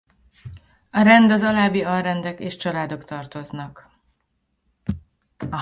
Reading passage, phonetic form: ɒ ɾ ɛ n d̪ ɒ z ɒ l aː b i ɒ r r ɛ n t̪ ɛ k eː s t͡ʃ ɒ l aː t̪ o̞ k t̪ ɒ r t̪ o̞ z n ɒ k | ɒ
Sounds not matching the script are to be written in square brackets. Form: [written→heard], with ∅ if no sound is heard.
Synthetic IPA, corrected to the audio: ɒ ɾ ɛ n d̪ ɒ z ɒ l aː b i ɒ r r ɛ n [t̪→d̪] ɛ k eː [s→ʃ] t͡ʃ ɒ l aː [t̪→d̪] o̞ k t̪ ɒ r t̪ o̞ z n ɒ k | ɒ